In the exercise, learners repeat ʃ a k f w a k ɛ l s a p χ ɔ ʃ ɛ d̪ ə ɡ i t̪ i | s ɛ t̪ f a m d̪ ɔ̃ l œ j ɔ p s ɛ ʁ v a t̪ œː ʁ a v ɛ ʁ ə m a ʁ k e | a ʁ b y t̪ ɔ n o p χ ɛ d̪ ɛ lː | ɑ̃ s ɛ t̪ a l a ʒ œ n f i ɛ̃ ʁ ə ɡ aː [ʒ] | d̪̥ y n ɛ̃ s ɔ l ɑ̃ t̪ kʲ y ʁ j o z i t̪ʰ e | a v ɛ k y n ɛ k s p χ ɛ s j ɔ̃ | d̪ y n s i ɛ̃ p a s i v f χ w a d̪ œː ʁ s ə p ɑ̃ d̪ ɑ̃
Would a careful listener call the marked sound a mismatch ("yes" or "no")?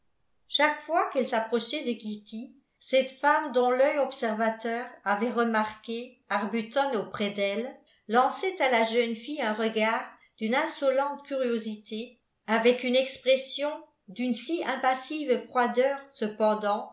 yes